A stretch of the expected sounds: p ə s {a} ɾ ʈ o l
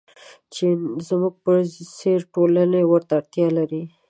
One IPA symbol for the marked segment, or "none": e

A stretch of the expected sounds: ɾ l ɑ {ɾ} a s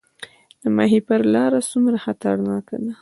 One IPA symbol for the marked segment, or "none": ɾ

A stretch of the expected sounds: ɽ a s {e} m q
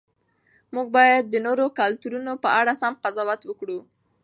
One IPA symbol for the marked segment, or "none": a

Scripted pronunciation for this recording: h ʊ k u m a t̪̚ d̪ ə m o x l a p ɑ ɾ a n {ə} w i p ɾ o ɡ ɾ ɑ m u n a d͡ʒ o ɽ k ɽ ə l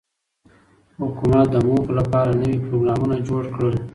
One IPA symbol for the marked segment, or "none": ə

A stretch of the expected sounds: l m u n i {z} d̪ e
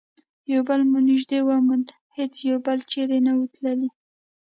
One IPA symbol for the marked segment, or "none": ʒ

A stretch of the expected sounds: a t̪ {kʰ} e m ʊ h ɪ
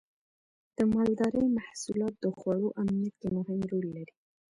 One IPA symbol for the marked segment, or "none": k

